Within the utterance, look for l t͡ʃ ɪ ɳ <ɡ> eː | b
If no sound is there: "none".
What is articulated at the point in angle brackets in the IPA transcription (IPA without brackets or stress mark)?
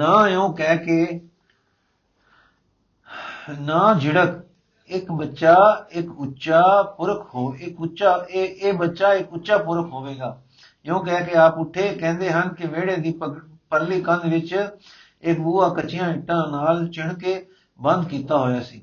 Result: k